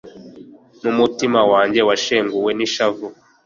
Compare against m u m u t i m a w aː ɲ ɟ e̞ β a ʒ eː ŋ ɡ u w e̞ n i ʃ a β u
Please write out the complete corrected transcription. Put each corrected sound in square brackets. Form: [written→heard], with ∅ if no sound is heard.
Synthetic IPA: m u m u t i m a w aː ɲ ɟ e̞ [β→w] a [ʒ→ʃ] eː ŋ ɡ u w e̞ n i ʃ a [β→v] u